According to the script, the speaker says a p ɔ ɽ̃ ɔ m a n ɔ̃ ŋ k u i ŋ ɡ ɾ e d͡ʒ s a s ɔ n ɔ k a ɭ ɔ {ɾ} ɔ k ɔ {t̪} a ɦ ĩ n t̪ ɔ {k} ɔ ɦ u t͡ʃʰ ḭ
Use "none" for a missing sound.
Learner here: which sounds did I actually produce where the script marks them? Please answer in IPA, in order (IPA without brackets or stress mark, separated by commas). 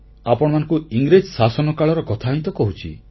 ɾ, t̪ʰ, k